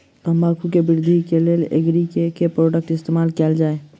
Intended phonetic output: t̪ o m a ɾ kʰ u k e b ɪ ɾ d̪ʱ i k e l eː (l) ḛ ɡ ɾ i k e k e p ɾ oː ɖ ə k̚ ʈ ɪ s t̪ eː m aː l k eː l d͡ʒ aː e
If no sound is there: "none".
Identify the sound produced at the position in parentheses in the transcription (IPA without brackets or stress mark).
l